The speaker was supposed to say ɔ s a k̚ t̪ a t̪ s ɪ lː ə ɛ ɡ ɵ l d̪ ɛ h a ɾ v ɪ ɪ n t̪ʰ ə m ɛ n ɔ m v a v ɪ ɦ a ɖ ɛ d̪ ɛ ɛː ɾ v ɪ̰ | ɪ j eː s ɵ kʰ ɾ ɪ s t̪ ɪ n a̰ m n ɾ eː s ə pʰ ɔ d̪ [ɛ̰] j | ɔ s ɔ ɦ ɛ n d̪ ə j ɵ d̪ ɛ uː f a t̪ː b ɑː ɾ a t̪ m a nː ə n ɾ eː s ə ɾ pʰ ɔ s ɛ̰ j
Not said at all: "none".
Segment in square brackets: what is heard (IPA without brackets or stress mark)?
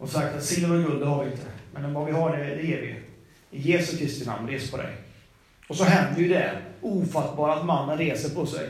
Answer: ɛ̰